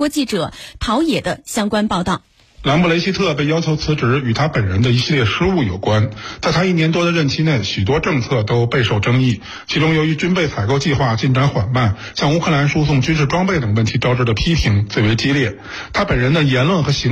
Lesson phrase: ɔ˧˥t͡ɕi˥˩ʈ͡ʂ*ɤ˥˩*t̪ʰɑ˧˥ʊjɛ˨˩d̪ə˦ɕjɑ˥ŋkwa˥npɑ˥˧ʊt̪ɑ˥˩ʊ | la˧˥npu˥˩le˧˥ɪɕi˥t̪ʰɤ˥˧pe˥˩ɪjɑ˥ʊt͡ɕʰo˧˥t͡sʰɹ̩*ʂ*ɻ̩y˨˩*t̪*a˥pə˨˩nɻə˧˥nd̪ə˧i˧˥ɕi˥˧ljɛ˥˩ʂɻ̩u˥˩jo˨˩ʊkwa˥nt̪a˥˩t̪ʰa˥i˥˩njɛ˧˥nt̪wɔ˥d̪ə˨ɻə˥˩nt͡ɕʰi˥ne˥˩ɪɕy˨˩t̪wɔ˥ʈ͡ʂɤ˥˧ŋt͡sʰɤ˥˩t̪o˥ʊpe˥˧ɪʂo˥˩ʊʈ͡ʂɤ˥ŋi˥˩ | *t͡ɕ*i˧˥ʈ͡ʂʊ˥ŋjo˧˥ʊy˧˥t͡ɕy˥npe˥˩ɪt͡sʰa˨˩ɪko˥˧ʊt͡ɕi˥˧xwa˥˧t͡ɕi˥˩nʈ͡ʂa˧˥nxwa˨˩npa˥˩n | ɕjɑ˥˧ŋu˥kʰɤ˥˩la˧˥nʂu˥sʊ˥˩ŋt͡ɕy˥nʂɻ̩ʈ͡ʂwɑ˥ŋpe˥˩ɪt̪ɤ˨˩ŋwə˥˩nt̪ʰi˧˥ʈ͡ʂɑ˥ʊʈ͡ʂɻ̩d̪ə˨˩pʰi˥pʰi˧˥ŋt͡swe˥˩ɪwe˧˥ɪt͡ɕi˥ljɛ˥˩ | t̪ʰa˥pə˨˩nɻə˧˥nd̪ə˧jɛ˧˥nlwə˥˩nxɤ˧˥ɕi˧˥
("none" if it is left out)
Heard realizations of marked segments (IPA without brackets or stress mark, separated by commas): ɤ˨˩˦, ʈ͡ʂ, t̪ʰ, t͡ɕʰ